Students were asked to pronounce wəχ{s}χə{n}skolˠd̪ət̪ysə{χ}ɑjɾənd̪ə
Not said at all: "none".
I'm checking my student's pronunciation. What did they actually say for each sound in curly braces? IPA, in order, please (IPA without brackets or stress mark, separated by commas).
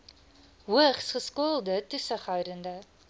s, none, χ